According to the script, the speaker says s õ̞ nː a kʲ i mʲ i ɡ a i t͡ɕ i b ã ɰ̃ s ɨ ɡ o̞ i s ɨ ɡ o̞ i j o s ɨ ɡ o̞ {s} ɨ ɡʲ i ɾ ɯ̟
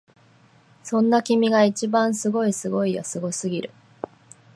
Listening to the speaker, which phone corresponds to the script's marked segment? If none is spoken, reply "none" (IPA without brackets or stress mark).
s